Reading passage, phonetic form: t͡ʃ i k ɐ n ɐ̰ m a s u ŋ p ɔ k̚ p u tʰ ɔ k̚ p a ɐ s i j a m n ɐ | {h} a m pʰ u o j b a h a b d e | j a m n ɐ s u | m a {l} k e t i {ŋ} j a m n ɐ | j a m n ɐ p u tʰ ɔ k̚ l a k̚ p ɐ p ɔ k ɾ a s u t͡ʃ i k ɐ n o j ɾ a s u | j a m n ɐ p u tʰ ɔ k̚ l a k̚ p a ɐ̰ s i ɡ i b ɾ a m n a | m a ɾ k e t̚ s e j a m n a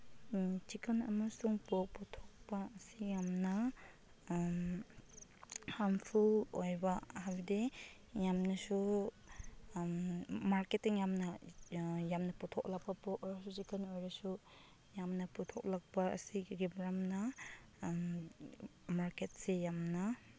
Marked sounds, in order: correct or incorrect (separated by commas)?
correct, incorrect, correct